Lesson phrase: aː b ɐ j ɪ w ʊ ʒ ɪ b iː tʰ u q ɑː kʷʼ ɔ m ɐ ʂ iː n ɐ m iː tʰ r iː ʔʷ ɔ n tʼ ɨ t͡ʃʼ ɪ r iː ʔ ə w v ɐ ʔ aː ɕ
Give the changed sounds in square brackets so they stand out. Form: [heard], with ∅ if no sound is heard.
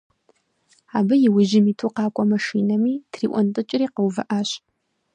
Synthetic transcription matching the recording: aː b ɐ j ɪ w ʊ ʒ ɪ [m] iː tʰ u q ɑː kʷʼ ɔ m ɐ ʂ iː n ɐ m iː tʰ r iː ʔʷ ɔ n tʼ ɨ t͡ʃʼ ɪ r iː [q] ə w v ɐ ʔ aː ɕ